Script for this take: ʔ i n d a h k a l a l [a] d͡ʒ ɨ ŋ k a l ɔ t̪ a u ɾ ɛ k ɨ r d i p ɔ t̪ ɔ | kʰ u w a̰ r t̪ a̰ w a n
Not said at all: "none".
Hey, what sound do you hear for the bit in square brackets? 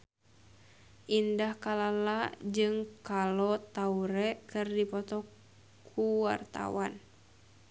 a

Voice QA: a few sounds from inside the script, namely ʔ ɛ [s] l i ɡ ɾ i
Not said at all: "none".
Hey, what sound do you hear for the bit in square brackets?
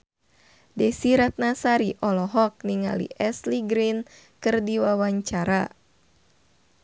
s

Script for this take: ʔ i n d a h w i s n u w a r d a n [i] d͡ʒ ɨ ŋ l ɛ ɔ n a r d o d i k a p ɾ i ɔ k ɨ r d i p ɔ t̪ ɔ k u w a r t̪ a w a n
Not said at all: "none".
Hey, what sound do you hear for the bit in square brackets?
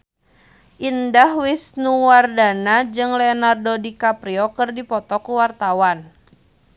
a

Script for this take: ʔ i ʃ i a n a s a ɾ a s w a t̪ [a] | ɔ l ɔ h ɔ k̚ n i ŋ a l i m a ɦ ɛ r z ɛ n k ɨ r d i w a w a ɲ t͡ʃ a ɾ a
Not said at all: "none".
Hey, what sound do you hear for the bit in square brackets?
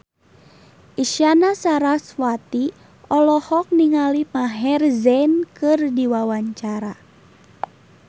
i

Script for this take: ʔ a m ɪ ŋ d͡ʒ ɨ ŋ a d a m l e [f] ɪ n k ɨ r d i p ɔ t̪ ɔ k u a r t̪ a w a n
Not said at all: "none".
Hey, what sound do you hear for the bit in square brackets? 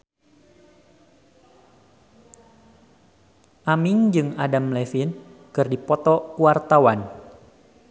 f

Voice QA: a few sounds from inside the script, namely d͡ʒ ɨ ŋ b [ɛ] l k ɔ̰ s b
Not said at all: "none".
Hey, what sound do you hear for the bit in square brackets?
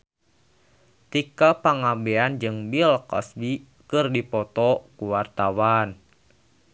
i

